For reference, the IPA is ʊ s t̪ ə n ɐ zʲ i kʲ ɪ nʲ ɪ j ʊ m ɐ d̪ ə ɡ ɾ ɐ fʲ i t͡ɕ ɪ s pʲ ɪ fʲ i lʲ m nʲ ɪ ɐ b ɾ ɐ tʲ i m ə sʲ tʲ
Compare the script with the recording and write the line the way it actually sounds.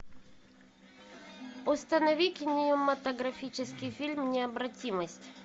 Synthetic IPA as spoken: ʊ s t̪ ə n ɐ vʲ i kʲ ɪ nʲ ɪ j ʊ m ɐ t̪ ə ɡ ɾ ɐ fʲ i t͡ɕ ɪ s kʲ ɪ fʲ i lʲ m nʲ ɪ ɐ b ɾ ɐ tʲ i m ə sʲ tʲ